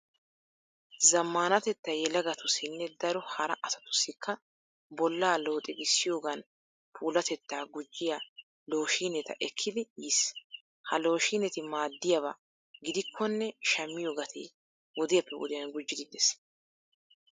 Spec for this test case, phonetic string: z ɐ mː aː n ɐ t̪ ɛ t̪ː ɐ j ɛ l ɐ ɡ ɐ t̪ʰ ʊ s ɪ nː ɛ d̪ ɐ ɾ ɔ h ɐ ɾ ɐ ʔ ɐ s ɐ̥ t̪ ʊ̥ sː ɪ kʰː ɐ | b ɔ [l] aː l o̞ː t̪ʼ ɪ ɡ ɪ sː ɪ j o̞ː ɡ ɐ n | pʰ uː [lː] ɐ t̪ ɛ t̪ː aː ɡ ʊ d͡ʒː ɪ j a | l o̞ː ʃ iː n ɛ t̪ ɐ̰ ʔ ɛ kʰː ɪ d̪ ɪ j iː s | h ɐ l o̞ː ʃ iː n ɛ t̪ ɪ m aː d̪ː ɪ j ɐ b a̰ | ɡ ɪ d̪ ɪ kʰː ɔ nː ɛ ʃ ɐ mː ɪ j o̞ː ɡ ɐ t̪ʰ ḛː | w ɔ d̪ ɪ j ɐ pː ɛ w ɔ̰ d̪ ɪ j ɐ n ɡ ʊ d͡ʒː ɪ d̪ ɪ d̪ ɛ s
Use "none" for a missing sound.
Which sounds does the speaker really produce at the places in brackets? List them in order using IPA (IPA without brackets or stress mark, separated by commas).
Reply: lː, l